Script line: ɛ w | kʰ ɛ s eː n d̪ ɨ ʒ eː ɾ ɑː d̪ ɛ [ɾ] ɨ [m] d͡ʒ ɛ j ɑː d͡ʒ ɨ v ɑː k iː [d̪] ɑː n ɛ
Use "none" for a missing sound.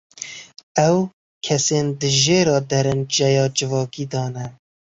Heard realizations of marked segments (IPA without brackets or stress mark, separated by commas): ɾ, n, d̪